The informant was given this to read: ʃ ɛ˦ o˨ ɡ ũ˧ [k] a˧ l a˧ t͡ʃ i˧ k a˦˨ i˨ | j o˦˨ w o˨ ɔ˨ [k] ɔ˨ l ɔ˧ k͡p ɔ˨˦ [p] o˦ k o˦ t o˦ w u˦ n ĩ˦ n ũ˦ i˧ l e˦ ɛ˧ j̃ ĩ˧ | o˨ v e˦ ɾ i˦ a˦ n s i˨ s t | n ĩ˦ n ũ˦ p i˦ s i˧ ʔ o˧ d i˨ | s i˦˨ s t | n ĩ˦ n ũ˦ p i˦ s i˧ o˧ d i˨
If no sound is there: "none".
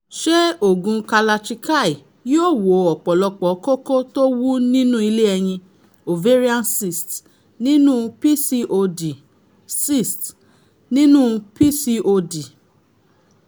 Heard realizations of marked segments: k, k͡p, k

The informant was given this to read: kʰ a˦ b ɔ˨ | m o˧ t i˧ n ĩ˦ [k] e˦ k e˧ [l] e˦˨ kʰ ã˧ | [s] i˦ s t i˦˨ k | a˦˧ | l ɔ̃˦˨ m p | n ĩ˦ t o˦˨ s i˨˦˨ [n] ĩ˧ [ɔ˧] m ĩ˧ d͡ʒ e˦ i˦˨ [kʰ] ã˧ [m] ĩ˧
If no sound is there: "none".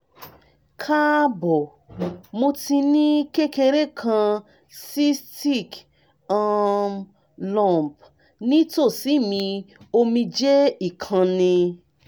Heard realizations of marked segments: k, ɾ, s, m, o˧, kʰ, n

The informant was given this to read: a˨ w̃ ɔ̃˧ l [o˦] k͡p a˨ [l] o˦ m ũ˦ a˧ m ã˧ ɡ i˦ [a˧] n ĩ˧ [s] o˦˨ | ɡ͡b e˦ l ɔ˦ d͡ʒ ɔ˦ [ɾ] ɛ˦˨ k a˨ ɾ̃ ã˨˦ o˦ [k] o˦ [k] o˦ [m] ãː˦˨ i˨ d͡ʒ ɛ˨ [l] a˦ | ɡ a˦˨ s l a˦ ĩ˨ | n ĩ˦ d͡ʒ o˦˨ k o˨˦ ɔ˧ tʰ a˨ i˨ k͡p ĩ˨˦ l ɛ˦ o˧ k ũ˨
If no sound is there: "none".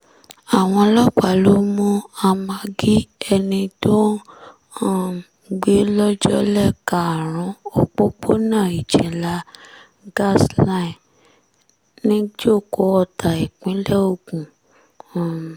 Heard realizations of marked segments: ɔ˦, l, ɛ˧, t, l, k͡p, k͡p, n, l

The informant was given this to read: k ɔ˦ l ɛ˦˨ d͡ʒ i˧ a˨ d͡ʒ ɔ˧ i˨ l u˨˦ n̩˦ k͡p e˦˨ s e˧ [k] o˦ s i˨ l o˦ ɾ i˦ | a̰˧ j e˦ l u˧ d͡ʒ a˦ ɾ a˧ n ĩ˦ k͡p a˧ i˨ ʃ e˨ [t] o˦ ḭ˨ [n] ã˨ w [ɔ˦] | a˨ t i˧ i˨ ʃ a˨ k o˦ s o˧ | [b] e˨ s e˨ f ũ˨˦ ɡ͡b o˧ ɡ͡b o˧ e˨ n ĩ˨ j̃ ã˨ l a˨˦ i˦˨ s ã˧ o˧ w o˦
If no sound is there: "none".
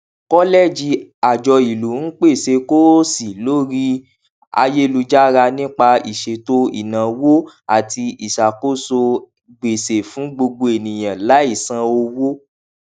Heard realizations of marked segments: k, t, n, o˦, ɡ͡b

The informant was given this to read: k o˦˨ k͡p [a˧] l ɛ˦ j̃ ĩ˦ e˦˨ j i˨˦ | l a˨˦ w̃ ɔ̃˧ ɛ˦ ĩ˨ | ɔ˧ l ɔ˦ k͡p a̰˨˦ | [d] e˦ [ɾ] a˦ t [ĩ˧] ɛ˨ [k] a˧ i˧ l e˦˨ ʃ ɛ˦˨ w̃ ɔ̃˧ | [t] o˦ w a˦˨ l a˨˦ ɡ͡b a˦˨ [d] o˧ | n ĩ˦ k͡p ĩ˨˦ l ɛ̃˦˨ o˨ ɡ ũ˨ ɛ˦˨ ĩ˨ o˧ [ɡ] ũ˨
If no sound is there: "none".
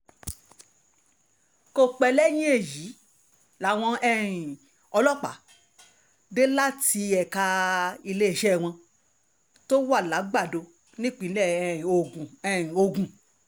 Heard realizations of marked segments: ɛ˧, d, l, i˧, k, t, d, ɡ

